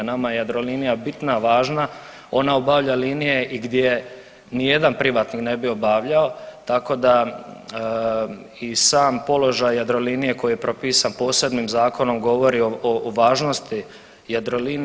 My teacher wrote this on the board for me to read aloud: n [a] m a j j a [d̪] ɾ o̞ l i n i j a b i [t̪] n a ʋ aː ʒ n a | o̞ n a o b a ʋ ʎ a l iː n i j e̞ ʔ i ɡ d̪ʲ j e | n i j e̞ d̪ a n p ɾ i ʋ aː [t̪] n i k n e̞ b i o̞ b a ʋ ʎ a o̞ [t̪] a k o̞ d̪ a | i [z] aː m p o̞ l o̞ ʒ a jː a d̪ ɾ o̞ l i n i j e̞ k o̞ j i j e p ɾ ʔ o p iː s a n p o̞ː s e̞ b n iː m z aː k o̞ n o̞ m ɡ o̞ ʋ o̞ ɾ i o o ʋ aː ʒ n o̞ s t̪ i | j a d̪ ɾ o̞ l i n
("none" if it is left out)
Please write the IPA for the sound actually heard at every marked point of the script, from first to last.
a, d̪, t̪, t̪, t̪, s

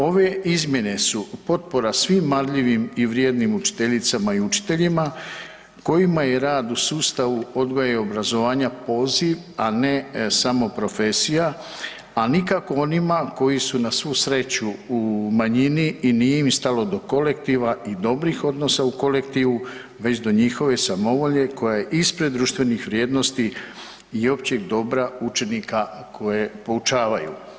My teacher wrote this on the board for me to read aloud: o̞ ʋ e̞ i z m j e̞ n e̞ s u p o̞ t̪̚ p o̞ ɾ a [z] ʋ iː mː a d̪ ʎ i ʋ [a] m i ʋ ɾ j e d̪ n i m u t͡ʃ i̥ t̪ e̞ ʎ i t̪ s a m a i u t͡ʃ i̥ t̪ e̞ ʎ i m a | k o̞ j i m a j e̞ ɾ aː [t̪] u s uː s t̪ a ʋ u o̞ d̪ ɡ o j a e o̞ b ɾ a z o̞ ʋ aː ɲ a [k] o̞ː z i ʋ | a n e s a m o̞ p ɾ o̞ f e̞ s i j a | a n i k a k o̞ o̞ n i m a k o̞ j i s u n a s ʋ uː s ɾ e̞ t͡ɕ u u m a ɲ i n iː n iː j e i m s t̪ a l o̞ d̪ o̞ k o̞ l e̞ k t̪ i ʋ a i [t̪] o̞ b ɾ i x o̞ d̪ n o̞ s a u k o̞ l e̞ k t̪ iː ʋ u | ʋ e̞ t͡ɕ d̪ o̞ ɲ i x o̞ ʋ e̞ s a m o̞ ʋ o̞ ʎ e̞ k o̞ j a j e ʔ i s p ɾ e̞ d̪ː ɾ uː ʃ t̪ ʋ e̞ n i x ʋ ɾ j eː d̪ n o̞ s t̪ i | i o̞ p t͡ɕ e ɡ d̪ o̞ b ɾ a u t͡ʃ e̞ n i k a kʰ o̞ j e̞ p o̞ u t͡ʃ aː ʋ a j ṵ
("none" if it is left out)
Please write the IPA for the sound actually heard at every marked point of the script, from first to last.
s, i, d̪, p, d̪

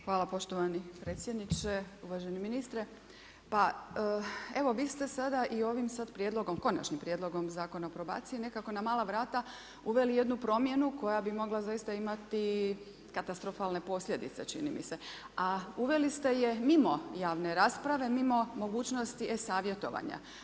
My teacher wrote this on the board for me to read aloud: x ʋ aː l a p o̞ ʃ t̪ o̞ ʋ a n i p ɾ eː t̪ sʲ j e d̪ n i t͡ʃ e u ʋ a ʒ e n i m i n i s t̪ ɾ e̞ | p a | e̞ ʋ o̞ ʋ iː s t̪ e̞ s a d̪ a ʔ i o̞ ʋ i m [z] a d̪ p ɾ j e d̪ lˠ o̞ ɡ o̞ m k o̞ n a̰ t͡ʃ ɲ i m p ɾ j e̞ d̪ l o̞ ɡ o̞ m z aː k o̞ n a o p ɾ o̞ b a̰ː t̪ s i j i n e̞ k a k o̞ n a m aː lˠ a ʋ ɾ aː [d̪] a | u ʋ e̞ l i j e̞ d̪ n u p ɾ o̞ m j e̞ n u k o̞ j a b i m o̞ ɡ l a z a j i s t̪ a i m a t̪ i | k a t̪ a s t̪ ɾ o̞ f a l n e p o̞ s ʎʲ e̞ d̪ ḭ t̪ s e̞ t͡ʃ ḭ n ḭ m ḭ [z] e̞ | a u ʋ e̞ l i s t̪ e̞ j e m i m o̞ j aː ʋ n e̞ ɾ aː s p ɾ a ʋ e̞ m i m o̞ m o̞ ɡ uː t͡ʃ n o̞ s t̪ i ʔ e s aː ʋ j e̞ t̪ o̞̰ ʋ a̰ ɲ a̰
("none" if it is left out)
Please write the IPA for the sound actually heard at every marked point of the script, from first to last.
s, t̪, s

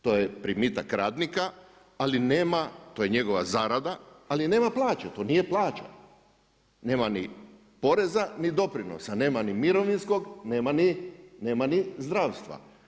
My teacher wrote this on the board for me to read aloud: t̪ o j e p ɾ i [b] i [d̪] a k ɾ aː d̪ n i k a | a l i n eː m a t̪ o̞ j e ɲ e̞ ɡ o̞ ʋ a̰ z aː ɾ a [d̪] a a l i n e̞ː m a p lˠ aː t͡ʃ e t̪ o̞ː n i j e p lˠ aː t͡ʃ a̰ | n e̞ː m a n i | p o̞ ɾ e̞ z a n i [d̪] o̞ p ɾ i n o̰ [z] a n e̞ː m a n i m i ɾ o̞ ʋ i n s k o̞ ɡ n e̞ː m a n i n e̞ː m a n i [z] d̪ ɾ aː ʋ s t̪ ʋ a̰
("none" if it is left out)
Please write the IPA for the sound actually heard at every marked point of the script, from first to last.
m, t̪, d̪, d̪, s, z

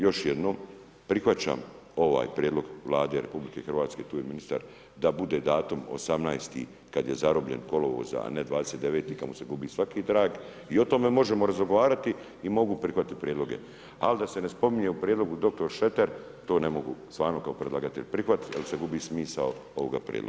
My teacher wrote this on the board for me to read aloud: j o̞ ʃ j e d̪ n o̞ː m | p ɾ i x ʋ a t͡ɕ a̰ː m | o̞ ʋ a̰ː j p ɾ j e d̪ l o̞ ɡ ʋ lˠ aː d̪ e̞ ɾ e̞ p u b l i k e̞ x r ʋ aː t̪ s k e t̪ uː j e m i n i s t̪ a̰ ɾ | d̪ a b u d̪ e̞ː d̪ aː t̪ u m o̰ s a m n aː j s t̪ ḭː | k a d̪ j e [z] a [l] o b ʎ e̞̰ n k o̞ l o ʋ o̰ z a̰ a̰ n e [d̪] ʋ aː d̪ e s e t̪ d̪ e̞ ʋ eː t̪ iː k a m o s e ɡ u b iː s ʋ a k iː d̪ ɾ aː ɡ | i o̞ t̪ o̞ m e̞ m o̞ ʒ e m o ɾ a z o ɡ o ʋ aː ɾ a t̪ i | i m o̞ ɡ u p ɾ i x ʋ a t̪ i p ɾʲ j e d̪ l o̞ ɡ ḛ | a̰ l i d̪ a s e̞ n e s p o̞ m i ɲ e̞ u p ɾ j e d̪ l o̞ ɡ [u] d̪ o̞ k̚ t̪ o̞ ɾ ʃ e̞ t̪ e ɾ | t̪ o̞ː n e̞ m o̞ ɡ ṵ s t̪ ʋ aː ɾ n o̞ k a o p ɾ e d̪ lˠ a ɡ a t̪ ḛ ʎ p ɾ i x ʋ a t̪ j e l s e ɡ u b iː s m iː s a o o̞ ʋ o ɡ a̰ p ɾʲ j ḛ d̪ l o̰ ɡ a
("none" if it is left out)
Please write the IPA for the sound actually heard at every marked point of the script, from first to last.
z, ɾ, d̪, u

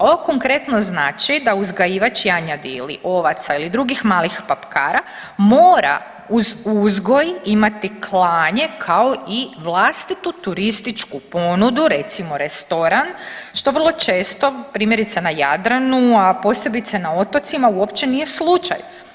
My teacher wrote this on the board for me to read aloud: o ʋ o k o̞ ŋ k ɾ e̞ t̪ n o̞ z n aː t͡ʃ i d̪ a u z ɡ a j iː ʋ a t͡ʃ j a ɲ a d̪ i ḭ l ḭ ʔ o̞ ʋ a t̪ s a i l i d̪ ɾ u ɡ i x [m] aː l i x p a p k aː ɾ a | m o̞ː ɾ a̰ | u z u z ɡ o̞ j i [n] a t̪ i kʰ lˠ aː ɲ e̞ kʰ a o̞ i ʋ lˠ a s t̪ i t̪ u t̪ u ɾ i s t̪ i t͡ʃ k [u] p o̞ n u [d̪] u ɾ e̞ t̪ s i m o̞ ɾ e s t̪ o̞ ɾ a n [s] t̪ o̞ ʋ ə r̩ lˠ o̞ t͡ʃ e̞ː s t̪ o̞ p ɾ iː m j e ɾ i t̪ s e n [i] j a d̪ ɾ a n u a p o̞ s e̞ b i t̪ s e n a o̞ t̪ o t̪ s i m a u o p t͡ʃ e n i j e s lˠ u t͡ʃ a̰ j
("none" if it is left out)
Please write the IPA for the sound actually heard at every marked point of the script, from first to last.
m, m, u, d̪, ʃ, a

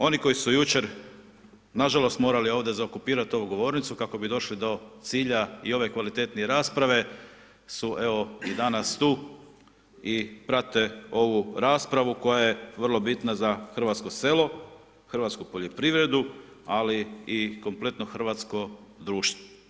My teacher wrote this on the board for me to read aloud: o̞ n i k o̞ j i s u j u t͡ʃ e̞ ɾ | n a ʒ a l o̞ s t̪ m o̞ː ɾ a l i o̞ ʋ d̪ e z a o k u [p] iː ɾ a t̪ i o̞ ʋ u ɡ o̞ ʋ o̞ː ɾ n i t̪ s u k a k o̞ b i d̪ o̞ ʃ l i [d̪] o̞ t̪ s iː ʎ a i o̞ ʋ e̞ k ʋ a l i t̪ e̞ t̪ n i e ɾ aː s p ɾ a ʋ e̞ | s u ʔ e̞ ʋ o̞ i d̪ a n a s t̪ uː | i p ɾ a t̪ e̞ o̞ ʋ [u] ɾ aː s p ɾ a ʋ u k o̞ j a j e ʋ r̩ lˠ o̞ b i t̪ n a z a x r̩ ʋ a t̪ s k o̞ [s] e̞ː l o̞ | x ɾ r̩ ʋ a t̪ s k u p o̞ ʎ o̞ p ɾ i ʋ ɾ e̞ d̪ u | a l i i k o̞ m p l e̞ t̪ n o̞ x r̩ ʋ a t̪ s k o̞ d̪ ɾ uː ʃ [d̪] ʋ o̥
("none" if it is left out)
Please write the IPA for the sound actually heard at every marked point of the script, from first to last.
p, d̪, u, s, t̪

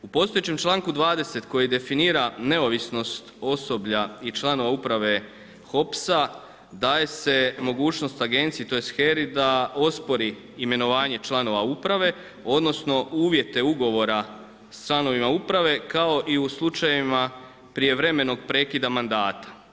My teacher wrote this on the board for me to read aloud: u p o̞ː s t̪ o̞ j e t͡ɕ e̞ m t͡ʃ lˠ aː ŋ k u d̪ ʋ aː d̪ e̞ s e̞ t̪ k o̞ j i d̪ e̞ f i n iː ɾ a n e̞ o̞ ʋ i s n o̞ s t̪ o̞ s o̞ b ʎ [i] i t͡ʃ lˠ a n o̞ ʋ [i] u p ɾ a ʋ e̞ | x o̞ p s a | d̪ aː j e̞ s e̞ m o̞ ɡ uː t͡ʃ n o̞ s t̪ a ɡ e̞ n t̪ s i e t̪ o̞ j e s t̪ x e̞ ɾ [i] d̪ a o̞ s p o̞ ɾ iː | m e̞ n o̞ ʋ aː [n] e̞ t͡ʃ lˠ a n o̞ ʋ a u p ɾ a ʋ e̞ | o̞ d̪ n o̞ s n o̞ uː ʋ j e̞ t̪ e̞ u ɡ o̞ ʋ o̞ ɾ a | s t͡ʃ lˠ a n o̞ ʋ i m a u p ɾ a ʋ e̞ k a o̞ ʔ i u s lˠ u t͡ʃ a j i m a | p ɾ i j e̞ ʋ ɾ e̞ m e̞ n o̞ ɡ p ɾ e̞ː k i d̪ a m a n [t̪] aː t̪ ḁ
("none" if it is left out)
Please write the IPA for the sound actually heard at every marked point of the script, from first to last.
a, a, i, ɲ, d̪

